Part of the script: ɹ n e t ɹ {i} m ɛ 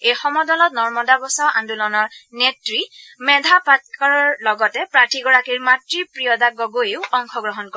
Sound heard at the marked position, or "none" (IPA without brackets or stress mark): i